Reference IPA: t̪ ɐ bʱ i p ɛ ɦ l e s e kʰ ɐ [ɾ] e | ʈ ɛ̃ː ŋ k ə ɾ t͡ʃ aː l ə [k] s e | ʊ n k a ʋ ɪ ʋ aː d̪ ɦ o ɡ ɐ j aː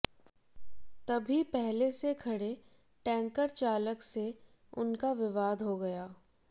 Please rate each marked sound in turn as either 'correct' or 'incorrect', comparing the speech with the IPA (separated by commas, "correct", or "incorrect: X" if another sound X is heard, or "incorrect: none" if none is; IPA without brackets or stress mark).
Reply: incorrect: ɽ, correct